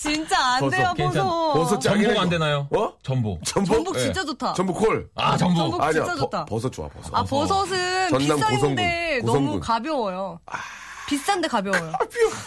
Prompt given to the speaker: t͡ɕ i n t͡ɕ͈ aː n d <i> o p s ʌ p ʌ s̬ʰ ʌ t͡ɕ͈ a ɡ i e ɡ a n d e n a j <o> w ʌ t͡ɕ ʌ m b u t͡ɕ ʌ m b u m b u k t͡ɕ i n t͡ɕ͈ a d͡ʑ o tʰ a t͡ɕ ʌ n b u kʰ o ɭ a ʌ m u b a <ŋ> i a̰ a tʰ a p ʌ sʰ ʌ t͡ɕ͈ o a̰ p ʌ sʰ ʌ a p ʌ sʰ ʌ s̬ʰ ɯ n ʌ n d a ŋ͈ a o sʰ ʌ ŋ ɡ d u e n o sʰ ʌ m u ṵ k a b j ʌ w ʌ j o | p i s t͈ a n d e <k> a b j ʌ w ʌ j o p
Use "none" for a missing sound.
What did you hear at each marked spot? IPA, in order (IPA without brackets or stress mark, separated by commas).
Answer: e, o, ɲ, k